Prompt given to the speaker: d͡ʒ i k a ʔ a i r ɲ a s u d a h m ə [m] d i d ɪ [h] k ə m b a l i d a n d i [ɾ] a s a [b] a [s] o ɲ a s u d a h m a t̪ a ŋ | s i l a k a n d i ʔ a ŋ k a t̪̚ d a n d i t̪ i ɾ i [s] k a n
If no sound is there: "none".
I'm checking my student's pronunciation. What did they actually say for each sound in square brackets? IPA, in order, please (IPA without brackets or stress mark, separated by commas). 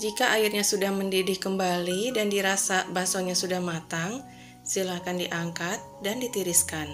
n, h, ɾ, b, s, s